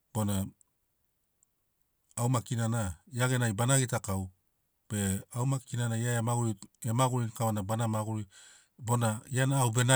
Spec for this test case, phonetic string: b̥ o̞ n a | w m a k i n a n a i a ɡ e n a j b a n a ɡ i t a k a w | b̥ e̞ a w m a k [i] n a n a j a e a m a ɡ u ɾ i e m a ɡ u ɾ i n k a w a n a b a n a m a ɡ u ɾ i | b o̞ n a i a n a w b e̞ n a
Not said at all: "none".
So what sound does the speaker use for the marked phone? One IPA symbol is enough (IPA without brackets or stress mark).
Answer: i